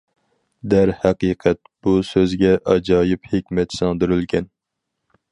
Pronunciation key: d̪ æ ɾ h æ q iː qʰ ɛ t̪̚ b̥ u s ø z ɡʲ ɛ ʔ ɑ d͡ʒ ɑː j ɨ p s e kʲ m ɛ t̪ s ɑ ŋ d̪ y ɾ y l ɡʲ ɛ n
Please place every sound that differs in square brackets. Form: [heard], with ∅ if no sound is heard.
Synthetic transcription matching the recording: d̪ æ ɾ h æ q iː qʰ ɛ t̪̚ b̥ u s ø z ɡʲ ɛ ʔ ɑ d͡ʒ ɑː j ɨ p [h] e kʲ m ɛ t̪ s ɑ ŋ d̪ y ɾ y l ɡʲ ɛ n